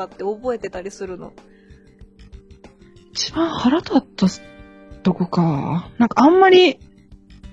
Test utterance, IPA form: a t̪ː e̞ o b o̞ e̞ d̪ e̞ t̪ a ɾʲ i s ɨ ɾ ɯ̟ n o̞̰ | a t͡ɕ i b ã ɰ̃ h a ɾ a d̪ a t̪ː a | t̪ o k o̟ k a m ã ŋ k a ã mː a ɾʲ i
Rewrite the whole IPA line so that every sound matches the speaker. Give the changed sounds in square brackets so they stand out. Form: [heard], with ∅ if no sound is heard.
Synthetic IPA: a t̪ː e̞ o b o̞ e̞ [t̪] e̞ t̪ a ɾʲ i s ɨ ɾ ɯ̟ n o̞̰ | [i] t͡ɕ i b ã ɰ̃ h a ɾ a [t̪] a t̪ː a | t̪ o k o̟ k a [n] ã ŋ k a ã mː a ɾʲ i